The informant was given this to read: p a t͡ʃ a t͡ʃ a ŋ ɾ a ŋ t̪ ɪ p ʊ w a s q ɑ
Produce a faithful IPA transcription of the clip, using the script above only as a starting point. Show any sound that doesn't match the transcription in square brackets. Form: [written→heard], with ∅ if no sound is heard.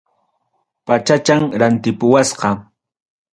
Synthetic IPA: p a t͡ʃ a t͡ʃ a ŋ ɾ a [ŋ→n] t̪ ɪ p ʊ w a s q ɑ